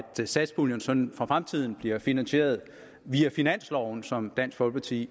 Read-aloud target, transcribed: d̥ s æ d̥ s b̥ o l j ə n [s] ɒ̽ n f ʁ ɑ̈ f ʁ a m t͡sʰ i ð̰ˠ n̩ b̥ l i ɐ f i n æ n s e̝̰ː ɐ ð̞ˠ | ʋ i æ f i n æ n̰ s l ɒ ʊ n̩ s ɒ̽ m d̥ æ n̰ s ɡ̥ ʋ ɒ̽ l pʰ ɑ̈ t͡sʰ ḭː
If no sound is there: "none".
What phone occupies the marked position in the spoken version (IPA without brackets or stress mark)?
s